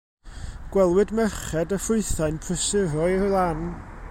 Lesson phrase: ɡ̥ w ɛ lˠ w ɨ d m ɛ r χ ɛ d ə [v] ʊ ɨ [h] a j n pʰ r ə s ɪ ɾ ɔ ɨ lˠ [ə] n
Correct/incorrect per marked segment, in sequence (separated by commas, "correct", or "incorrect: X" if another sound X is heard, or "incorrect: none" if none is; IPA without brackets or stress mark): incorrect: f, incorrect: θ, incorrect: a